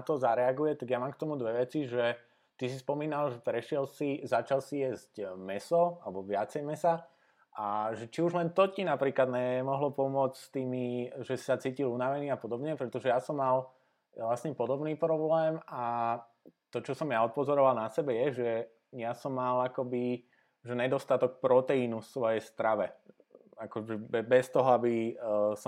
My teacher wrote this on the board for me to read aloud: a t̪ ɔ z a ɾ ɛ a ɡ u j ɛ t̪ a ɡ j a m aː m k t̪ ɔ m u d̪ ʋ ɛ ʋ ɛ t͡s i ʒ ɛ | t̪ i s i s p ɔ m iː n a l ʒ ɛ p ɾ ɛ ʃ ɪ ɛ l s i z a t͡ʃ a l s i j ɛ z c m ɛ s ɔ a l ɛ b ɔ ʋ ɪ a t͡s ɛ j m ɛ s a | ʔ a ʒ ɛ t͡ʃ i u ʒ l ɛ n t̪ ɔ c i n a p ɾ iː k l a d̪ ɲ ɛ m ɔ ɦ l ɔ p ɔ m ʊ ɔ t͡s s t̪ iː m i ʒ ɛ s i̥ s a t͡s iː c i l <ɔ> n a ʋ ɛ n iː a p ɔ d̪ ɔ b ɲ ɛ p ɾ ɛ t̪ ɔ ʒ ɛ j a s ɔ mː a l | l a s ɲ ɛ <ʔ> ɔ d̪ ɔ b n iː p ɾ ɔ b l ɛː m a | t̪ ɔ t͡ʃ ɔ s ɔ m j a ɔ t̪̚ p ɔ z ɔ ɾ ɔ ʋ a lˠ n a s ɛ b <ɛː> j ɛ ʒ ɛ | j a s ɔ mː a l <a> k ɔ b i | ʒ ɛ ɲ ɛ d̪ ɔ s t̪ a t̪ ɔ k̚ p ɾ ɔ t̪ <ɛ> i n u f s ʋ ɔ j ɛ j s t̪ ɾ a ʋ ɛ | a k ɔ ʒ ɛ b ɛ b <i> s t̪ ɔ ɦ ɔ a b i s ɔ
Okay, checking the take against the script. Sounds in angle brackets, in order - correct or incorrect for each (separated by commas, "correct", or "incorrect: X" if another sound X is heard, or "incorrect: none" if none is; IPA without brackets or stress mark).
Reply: incorrect: u, incorrect: p, incorrect: ɛ, correct, correct, incorrect: ɛ